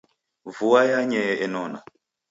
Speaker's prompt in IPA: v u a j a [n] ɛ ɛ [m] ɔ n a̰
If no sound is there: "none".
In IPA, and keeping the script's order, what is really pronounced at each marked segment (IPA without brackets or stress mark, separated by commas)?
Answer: ɲ, n